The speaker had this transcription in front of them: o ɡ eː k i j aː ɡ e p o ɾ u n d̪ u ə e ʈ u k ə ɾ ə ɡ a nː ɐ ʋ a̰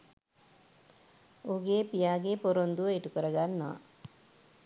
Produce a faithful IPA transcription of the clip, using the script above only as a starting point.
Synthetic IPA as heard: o ɡ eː p i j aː ɡ e p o ɾ o n d̪ u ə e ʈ u k ə ɾ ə ɡ a nː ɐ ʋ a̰